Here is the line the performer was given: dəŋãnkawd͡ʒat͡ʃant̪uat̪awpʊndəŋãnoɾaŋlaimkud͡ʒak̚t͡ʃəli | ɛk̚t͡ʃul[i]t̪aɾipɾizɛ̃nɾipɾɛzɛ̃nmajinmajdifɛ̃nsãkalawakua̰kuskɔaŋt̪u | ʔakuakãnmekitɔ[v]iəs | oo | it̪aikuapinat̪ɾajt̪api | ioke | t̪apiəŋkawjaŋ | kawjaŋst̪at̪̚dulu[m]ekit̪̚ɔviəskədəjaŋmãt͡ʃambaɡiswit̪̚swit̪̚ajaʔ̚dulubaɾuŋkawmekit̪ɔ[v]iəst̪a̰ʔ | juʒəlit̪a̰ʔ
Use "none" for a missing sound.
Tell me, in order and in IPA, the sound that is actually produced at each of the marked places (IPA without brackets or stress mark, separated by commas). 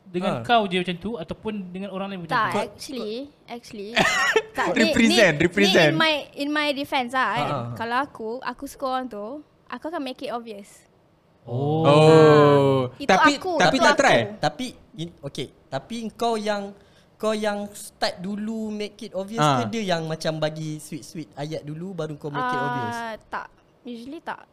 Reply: i, v, m, v